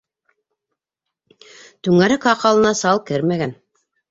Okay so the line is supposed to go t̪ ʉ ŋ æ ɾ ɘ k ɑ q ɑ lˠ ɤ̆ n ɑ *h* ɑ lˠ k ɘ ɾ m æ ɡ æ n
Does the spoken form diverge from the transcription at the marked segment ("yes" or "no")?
yes